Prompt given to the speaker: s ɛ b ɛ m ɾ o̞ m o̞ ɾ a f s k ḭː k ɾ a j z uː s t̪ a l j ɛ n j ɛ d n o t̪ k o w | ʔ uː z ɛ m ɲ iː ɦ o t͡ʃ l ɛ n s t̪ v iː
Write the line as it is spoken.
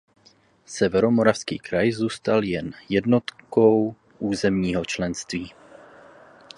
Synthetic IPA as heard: s ɛ v ɛ ɾ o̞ m o̞ ɾ a f s k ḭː k ɾ a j z uː s t̪ a l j ɛ n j ɛ d n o t̪ k o w | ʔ uː z ɛ m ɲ iː ɦ o t͡ʃ l ɛ n s t̪ v iː